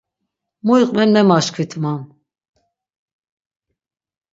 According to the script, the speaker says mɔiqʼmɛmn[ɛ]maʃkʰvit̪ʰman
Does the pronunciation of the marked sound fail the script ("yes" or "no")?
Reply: no